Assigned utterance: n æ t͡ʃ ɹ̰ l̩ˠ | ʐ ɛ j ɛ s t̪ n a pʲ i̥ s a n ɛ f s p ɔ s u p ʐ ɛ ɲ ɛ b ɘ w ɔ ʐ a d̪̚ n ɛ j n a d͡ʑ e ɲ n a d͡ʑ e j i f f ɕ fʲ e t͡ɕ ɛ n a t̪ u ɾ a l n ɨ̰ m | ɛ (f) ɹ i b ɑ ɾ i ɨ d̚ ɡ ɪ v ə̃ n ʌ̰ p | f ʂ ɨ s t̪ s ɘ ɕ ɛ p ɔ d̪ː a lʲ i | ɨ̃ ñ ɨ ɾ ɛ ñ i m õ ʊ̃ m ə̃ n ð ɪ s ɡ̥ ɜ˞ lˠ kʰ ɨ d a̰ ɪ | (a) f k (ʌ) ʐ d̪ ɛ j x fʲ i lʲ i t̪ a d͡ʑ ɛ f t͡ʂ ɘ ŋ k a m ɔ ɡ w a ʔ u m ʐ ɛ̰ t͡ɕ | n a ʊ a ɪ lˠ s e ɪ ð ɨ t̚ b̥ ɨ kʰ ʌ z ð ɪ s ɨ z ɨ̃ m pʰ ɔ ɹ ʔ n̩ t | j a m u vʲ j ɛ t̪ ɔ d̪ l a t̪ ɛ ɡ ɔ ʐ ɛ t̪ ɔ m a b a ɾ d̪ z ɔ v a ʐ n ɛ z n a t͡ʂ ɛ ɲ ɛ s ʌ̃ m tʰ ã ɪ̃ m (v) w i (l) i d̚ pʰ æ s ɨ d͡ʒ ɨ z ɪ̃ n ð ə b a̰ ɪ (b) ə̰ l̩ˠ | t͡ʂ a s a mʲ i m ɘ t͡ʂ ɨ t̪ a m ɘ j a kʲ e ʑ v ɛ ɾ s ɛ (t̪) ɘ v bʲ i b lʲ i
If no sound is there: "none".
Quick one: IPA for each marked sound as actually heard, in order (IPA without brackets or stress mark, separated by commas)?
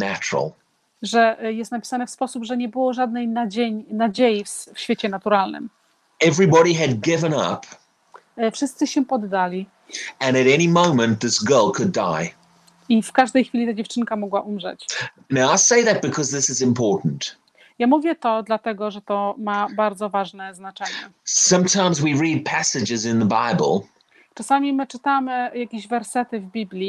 v, i, a, z, ɹ, b, t̪